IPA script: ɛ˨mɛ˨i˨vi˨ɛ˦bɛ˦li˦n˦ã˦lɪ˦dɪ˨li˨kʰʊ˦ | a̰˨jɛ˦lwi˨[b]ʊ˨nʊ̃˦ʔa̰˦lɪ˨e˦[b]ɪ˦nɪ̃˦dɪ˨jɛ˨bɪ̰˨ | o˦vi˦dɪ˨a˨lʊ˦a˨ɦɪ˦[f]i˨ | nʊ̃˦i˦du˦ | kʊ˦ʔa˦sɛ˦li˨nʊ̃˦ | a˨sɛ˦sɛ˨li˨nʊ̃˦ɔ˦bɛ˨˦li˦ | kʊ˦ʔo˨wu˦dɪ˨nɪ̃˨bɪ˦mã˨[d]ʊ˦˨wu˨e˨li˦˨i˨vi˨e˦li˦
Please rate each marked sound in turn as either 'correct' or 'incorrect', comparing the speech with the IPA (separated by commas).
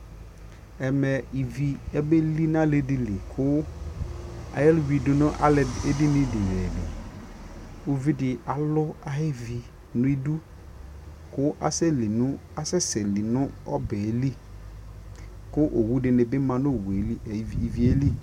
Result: incorrect, incorrect, incorrect, incorrect